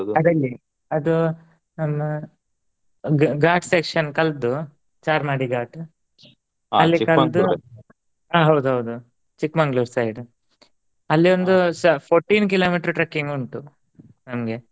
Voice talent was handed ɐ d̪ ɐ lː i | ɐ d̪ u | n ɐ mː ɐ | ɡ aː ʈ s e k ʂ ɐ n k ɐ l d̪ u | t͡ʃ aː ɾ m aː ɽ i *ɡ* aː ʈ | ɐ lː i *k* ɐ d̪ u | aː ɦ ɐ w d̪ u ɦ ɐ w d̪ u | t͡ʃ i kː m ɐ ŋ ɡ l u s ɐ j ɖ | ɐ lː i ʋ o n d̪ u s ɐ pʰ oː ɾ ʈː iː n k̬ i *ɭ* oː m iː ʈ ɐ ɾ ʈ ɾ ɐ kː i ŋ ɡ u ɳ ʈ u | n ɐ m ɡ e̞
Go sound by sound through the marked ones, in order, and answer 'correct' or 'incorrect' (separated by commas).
correct, correct, incorrect